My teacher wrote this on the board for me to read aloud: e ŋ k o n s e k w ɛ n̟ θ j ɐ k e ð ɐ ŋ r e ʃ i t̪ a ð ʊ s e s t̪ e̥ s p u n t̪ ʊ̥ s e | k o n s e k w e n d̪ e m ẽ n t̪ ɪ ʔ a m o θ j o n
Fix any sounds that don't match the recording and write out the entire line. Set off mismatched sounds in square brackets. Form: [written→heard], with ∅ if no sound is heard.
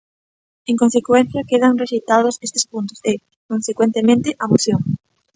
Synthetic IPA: e ŋ k o n s e k w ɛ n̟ θ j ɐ k e ð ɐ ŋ r e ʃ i t̪ a ð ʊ s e s t̪ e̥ s p u n t̪ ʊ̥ s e | k o n s e k w e n [d̪→t̪] e m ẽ n t̪ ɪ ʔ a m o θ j o [n→ŋ]

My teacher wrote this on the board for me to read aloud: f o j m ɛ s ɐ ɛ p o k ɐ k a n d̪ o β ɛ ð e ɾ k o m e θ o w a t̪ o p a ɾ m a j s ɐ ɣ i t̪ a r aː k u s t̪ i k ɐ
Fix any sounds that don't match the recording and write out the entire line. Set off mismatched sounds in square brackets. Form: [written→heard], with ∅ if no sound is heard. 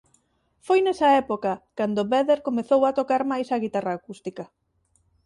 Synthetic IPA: f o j [m→n] ɛ s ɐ ɛ p o k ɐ k a n d̪ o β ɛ ð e ɾ k o m e θ o w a t̪ o [p→k] a ɾ m a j s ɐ ɣ i t̪ a r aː k u s t̪ i k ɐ

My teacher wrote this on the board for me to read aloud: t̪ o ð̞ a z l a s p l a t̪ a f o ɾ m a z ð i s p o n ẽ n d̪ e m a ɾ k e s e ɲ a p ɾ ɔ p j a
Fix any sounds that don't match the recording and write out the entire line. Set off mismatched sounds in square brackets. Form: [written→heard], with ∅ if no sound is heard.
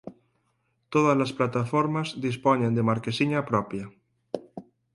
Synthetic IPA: t̪ o ð̞ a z l a s p l a t̪ a f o ɾ m a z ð i s p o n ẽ n d̪ e m a ɾ k e s [e→i] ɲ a p ɾ ɔ p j a

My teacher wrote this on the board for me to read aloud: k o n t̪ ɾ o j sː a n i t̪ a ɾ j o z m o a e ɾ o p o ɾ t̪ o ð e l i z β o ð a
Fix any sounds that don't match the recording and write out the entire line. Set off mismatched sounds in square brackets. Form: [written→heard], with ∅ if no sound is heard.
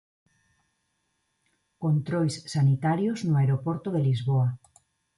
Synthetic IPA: k o n t̪ ɾ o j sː a n i t̪ a ɾ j o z [m→n] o a e ɾ o p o ɾ t̪ o ð e l i z β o [ð→∅] a

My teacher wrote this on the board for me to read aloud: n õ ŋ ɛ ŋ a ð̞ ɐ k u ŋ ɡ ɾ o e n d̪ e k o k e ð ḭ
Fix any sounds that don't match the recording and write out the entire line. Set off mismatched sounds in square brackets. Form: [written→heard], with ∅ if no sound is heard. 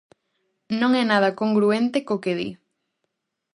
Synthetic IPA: n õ ŋ ɛ [ŋ→n] a ð̞ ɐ k [u→o] ŋ ɡ ɾ [o→u] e n [d̪→t̪] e k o k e ð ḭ

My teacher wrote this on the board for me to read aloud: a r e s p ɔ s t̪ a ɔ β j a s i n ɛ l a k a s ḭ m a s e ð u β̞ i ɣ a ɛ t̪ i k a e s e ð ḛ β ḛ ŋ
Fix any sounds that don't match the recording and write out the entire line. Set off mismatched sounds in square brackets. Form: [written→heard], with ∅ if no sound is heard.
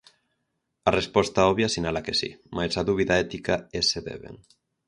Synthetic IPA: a r e s p ɔ s t̪ a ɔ β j a s i n [ɛ→a] l a k [a→e] s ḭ m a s [e→a] ð u β̞ i [ɣ→ð] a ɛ t̪ i k a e s e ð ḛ β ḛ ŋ

